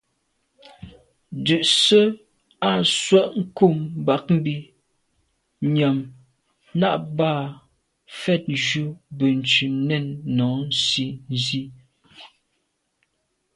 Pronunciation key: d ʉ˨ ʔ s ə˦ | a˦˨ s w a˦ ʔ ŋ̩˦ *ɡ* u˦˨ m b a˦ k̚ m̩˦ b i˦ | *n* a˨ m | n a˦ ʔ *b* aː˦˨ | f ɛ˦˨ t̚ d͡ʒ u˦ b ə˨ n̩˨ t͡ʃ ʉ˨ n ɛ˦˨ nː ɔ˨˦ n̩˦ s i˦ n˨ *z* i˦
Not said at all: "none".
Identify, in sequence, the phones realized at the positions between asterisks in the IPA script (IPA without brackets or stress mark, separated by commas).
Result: k, ɲ, b, z